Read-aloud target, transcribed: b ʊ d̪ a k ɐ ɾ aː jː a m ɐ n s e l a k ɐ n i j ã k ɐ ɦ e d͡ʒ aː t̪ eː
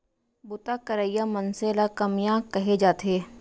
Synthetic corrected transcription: b ʊ t̪ a k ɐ ɾ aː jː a m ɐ n s e l a k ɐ m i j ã k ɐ ɦ e d͡ʒ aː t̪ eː